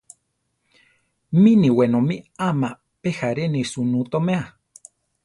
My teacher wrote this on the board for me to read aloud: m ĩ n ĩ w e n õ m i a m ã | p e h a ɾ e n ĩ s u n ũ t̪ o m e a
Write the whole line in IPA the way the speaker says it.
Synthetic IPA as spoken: m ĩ n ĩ w e n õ m i a m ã | p e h a ɾ e n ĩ s u n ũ t̪ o m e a